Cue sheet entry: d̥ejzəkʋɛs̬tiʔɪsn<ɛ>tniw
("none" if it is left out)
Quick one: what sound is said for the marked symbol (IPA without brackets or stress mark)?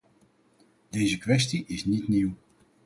i